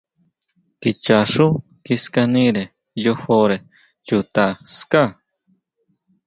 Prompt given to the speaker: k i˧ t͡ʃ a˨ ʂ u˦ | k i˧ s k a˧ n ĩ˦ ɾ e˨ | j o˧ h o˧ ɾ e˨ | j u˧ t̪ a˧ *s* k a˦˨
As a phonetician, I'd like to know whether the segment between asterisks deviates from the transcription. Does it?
no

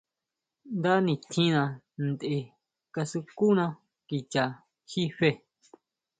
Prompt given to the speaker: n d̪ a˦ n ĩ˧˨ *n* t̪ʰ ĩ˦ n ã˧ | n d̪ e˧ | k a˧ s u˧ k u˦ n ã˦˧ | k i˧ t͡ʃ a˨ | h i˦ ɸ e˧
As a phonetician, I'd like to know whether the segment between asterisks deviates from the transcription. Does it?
yes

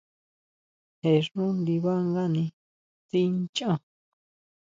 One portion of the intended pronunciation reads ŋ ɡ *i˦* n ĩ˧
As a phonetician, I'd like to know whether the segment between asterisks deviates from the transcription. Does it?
yes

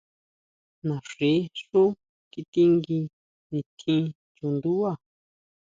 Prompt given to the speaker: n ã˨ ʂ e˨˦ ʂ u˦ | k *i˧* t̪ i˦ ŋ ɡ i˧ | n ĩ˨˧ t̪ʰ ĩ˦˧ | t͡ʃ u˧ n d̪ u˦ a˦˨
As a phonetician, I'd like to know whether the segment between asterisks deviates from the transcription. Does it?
no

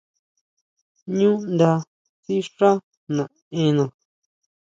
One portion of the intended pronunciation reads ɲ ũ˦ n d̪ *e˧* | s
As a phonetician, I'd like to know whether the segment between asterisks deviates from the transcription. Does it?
yes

